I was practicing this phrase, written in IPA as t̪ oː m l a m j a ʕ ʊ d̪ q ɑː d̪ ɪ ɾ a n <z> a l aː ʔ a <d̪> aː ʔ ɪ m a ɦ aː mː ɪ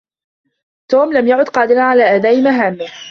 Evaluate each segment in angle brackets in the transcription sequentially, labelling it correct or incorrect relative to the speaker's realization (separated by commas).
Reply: incorrect, correct